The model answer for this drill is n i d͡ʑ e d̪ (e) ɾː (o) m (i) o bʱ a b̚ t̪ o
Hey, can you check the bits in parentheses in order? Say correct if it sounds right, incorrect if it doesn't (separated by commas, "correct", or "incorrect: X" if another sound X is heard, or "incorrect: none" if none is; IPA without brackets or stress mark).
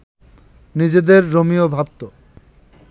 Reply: correct, correct, correct